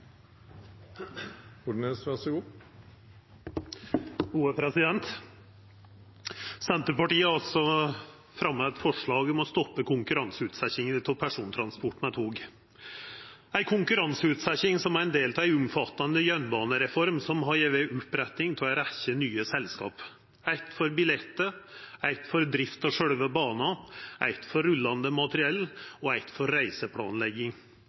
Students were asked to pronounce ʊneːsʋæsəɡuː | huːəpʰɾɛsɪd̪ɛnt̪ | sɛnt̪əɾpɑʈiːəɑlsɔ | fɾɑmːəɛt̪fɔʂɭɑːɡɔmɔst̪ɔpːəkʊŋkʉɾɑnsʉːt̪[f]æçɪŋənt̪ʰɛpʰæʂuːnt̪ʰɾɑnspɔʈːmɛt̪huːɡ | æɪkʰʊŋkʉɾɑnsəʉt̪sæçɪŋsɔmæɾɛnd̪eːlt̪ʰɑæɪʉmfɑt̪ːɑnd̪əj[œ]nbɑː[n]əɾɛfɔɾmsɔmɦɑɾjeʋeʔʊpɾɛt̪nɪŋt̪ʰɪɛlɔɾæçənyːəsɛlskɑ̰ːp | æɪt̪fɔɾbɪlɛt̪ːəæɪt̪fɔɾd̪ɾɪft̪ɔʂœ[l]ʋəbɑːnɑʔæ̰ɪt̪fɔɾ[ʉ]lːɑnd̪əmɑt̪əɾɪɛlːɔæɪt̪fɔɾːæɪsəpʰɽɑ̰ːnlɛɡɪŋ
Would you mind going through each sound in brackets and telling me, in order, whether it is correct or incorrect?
incorrect, correct, correct, incorrect, correct

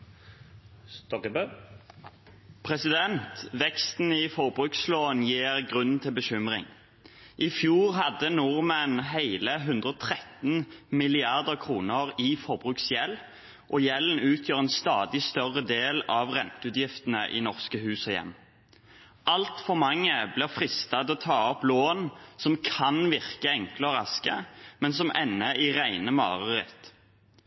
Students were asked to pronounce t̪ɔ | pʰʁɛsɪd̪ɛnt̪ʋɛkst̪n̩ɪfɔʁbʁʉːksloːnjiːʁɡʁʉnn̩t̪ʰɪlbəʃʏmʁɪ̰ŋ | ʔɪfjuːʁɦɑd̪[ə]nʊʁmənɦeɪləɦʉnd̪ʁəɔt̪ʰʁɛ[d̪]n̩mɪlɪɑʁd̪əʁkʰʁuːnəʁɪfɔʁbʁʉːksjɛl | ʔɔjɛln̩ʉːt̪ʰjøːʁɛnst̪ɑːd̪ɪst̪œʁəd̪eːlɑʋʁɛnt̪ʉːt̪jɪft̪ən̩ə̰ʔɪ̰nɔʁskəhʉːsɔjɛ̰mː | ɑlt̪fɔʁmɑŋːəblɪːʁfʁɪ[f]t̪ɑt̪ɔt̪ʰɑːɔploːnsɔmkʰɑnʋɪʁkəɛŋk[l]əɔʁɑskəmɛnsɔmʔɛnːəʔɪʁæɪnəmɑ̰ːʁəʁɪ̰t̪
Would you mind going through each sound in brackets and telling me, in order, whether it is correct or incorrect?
correct, incorrect, incorrect, correct

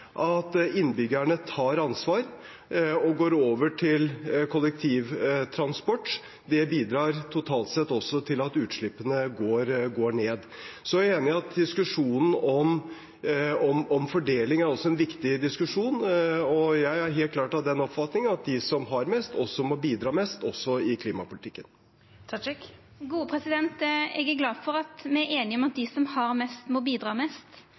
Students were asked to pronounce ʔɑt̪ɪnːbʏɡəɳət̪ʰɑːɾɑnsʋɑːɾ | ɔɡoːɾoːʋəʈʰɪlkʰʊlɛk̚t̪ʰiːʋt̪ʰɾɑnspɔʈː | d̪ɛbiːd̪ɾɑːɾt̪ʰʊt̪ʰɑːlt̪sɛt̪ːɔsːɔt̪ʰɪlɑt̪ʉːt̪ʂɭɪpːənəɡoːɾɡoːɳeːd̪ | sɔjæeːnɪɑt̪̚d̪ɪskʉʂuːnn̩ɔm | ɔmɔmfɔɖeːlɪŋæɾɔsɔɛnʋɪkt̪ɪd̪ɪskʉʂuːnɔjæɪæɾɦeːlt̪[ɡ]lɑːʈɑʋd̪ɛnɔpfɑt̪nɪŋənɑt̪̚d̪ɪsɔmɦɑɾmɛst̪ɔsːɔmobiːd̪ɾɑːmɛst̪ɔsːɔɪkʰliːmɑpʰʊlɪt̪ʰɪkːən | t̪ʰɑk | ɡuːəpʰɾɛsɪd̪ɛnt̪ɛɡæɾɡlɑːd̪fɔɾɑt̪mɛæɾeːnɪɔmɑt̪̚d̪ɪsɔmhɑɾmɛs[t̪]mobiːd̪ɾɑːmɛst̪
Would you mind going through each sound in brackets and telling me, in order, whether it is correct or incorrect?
incorrect, correct

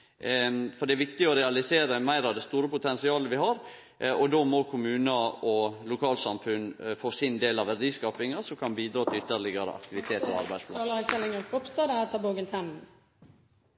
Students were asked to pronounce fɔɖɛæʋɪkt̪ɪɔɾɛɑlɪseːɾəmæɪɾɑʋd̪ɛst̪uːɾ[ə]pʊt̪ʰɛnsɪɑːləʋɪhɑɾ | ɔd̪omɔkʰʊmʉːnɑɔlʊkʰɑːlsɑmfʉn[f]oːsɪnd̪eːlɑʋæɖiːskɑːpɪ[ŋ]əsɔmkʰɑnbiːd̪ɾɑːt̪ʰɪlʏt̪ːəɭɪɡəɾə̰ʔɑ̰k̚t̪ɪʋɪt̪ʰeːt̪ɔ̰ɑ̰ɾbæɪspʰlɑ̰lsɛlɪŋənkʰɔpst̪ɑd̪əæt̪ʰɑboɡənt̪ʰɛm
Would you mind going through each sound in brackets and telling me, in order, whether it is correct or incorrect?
correct, correct, correct

